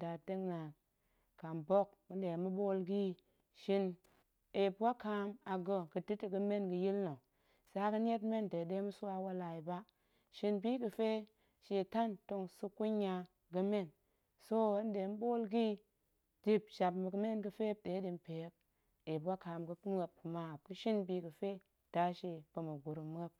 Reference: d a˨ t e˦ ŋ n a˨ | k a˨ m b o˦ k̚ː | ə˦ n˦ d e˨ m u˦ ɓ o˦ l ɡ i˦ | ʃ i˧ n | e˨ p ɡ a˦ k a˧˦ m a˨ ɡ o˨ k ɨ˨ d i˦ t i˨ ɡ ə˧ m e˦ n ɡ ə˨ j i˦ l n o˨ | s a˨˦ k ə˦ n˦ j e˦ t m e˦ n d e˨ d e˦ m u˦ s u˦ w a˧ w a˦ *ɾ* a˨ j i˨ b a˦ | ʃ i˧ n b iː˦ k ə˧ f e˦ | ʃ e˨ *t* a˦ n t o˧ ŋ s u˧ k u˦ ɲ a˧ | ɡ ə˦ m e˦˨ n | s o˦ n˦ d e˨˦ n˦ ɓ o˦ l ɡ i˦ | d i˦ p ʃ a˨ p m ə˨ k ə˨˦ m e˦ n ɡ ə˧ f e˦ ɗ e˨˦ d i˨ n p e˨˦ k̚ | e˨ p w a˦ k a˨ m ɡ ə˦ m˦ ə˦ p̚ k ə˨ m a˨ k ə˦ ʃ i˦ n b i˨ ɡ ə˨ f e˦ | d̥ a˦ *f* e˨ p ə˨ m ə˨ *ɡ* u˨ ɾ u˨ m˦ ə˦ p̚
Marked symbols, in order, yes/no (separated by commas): no, yes, no, yes